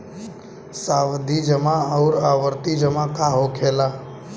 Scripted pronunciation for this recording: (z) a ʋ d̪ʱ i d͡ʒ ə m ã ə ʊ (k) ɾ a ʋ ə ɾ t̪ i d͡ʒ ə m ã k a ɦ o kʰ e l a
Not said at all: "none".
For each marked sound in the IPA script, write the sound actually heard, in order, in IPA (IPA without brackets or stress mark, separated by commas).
s, none